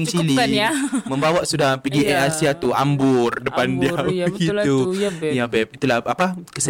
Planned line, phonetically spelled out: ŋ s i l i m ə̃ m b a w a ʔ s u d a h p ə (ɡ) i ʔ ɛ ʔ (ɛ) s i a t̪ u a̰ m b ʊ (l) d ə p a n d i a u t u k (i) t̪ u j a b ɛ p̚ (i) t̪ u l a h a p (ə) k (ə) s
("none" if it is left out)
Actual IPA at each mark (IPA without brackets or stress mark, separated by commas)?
ɡ, a, r, i, i, a, ə